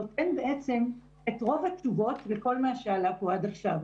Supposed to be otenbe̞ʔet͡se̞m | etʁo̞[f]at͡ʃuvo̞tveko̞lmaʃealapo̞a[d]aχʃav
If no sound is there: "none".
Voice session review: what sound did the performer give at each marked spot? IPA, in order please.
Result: v, d

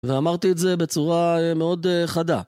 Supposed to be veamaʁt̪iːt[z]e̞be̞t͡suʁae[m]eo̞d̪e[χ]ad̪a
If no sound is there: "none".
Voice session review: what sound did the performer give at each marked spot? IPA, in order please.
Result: z, m, χ

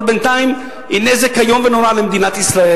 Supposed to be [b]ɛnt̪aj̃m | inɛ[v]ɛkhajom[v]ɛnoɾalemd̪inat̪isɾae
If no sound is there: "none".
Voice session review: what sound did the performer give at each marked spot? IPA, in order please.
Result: b, z, v

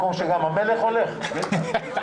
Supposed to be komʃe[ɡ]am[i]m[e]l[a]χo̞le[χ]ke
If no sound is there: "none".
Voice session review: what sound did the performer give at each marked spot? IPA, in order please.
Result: ɡ, a, e, e, χ

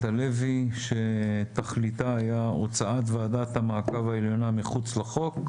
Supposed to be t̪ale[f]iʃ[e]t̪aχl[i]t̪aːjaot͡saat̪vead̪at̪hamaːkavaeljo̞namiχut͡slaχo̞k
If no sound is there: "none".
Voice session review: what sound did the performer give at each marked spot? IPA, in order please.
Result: v, e, i

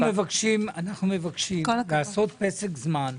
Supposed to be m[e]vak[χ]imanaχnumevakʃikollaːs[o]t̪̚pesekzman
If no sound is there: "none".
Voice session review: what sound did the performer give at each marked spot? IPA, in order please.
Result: e, ʃ, o

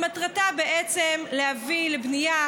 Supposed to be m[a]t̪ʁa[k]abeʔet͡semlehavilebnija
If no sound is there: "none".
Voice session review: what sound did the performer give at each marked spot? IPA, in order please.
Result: a, t

